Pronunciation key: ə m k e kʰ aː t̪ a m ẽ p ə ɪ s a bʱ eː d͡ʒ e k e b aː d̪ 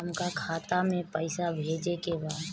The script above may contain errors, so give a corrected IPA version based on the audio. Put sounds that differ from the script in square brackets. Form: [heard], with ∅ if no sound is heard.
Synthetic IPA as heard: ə m k [a] kʰ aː t̪ a m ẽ p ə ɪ s a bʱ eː d͡ʒ e k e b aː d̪